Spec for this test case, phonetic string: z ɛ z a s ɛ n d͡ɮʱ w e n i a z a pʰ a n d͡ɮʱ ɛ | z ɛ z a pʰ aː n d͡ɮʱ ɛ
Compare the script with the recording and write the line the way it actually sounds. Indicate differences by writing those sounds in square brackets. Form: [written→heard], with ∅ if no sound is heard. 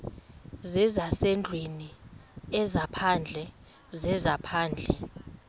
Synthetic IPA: z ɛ z a s ɛ n d͡ɮʱ w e n i [a→ɛ] z a pʰ a n d͡ɮʱ ɛ | z ɛ z a pʰ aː n d͡ɮʱ ɛ